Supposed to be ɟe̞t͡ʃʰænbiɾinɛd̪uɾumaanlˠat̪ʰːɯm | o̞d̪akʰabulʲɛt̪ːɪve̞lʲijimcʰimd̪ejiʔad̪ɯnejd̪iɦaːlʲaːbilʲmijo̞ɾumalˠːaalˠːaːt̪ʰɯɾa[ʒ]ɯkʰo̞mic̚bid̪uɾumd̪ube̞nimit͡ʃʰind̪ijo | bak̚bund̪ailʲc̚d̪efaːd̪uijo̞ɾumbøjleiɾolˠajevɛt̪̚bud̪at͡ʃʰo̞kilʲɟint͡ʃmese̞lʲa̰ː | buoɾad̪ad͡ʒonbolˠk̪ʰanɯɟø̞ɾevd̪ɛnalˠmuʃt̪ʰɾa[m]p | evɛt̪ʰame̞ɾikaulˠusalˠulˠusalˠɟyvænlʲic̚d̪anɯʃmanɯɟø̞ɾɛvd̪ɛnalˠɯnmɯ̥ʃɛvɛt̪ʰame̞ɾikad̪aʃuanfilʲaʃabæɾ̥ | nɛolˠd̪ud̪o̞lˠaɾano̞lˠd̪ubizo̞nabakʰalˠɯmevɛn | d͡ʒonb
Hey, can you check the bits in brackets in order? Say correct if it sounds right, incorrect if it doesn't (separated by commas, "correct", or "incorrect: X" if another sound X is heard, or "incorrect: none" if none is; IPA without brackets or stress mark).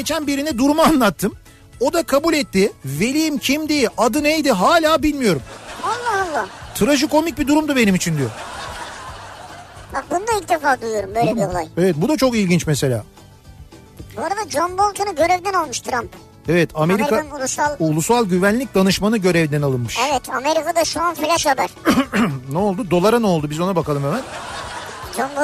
correct, correct